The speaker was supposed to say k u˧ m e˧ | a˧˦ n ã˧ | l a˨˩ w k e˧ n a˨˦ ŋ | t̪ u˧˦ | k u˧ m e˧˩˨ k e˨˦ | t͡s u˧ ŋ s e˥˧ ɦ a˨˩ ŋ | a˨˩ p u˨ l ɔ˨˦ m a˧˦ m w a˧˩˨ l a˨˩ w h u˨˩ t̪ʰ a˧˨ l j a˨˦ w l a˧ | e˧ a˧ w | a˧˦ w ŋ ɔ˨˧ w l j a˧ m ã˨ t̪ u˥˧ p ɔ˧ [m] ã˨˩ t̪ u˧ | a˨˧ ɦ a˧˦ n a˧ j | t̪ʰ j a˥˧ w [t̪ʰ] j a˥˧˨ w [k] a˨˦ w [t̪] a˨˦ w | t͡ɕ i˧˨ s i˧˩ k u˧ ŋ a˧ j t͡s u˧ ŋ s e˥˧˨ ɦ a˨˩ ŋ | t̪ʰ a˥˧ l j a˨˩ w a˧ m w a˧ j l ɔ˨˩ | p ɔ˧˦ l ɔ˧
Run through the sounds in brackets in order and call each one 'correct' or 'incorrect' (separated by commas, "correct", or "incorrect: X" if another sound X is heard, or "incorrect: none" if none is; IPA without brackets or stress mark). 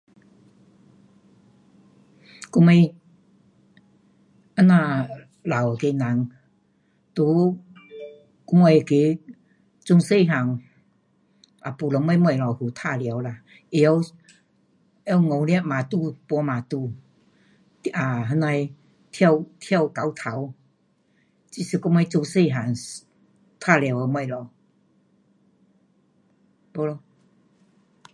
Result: correct, correct, correct, incorrect: t̪ʰ